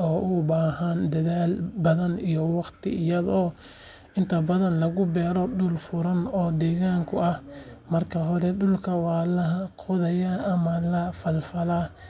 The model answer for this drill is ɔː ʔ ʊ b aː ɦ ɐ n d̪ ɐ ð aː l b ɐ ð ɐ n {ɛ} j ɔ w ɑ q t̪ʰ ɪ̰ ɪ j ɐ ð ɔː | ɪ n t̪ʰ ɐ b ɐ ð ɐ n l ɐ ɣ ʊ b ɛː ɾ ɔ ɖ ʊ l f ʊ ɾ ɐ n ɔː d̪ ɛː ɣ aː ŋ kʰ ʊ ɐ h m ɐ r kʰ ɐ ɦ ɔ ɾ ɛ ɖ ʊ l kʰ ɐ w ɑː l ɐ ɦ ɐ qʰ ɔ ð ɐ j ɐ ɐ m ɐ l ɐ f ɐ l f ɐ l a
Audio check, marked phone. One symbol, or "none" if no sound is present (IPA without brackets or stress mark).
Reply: i